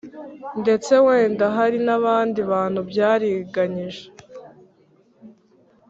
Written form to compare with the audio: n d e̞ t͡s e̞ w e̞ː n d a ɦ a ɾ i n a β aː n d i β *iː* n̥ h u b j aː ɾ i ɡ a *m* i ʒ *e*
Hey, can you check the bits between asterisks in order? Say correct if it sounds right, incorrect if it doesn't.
incorrect: aː, incorrect: ɲ, correct

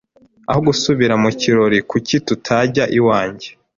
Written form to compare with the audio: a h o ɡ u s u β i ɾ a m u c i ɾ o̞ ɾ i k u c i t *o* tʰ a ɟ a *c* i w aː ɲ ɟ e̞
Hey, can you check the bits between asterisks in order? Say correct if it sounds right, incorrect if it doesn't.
incorrect: u, incorrect: ʔ

